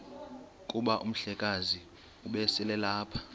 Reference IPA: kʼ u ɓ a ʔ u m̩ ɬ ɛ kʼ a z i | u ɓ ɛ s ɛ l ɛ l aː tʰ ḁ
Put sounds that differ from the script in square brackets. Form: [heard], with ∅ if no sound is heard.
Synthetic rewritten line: kʼ u ɓ a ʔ u m̩ ɬ ɛ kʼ a z i | u ɓ ɛ s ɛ l ɛ l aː [pʰ] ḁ